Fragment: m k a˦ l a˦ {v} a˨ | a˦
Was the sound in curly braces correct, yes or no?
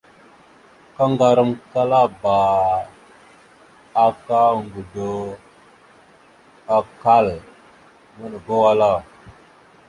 no